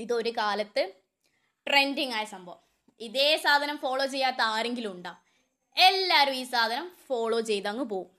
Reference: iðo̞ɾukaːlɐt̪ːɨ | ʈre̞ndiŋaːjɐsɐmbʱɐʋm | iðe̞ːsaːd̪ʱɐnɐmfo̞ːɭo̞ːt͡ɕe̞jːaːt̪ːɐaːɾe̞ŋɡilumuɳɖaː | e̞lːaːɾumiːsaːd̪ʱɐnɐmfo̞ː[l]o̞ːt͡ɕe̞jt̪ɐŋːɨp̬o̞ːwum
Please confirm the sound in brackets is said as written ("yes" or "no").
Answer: no